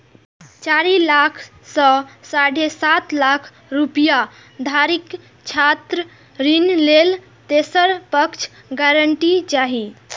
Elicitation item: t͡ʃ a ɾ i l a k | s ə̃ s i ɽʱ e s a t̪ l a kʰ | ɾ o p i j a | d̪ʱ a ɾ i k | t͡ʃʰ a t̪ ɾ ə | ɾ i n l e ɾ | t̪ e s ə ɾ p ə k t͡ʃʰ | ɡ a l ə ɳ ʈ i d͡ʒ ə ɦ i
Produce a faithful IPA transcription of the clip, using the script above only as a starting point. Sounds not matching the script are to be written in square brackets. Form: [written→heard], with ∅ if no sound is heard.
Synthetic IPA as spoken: t͡ʃ a ɾ i l a [k→kʰ] | s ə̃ s [i→a] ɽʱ e s a t̪ l a kʰ | ɾ [o→u] p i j a | d̪ʱ a ɾ i k | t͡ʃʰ a t̪ ɾ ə | ɾ i n l e [ɾ→l] | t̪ e s ə ɾ p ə k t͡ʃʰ | ɡ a [l→ɾ] ə ɳ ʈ i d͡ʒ [ə→a] ɦ i

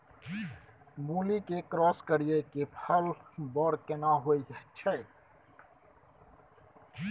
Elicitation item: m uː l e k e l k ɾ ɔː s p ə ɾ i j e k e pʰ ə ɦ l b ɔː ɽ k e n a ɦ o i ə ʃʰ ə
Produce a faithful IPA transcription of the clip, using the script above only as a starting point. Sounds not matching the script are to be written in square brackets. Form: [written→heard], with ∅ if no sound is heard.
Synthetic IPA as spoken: m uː l [e→i] k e [l→∅] k ɾ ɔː s [p→k] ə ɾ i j e k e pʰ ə [ɦ→∅] l b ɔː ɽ k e n a ɦ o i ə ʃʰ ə

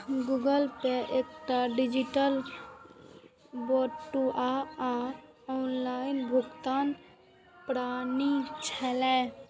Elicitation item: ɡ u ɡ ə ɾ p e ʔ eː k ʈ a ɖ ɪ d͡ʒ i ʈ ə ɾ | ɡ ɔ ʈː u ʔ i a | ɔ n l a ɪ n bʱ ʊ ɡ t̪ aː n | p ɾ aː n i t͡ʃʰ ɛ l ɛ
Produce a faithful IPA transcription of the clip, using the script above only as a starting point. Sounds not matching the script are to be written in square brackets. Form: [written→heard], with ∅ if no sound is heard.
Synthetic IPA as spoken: ɡ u ɡ ə [ɾ→l] p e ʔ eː k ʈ a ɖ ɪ d͡ʒ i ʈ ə [ɾ→l] | [ɡ→b] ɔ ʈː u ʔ [i→a] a | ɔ n l a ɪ n bʱ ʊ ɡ t̪ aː n | p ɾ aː n i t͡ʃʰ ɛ l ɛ

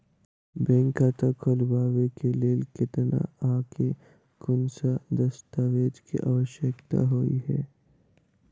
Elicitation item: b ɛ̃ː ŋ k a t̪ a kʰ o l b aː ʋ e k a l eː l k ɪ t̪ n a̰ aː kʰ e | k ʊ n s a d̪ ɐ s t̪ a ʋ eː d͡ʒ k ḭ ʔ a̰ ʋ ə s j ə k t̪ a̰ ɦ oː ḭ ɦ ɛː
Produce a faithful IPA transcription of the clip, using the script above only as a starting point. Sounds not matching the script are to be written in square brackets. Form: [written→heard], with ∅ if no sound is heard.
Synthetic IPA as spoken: b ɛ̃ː ŋ k a t̪ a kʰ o l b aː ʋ e k [a→e] l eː l k ɪ t̪ n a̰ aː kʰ e | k ʊ n s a d̪ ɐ s t̪ a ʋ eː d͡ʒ k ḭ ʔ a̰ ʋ ə [s→ʃ] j ə k t̪ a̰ ɦ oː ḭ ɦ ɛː

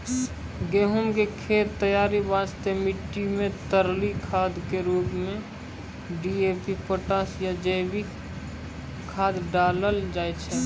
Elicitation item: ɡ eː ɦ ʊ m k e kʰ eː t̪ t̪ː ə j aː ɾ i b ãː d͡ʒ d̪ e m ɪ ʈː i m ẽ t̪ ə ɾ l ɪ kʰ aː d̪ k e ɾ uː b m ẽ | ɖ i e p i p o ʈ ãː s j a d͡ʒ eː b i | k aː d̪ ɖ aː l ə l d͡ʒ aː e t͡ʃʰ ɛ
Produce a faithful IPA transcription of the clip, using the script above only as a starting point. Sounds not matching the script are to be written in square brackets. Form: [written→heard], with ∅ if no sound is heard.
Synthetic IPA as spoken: ɡ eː ɦ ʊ m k e kʰ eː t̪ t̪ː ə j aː ɾ i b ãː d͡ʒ [d̪→t̪] e m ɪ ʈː i m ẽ t̪ ə ɾ l [ɪ→i] kʰ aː d̪ k e ɾ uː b m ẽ | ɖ i e p i p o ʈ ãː s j a d͡ʒ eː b i | [k→kʰ] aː d̪ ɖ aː l ə l d͡ʒ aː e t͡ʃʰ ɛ

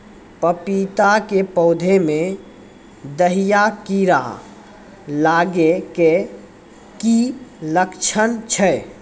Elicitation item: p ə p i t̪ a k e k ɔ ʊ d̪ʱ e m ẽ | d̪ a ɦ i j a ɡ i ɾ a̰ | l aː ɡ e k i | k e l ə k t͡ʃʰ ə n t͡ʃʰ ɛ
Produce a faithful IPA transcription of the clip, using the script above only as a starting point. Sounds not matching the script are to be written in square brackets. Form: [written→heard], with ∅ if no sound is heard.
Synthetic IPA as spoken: p ə p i t̪ a k e [k→p] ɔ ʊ d̪ʱ e m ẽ | d̪ [a→ə] ɦ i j a [ɡ→k] i ɾ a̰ | l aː ɡ e k [i→e] | k [e→i] l ə k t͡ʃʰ ə n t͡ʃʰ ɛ

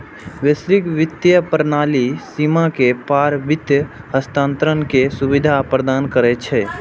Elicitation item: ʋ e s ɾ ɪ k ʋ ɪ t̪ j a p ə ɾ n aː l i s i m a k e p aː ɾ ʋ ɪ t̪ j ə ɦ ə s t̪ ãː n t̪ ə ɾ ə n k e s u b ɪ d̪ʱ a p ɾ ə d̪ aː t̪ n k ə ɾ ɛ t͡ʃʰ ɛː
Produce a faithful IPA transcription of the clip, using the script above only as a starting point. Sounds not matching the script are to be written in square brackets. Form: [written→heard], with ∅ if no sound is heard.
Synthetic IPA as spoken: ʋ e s ɾ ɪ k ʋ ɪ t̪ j [a→ə] p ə ɾ n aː l i s i m a k e p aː ɾ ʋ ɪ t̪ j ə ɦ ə s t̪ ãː n t̪ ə ɾ ə n k e s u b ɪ d̪ʱ a p ɾ ə d̪ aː [t̪→∅] n k ə ɾ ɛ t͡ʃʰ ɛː

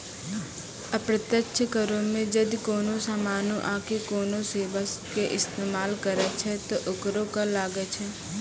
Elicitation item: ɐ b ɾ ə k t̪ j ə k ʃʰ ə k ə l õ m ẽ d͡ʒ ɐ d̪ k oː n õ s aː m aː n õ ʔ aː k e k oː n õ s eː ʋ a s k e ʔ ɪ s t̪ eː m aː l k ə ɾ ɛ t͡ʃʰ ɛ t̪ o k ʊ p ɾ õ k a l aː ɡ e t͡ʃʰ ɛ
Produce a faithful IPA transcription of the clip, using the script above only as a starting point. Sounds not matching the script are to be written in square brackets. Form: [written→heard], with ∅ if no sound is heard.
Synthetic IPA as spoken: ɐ [b→p] ɾ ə [k→∅] t̪ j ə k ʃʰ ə k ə [l→ɾ] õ m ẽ d͡ʒ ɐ d̪ k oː n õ s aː m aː n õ ʔ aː k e k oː n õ s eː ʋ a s k e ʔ ɪ s t̪ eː m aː l k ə ɾ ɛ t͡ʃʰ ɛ t̪ o [k→ʔ] ʊ [p→k] ɾ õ k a l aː ɡ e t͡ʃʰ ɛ

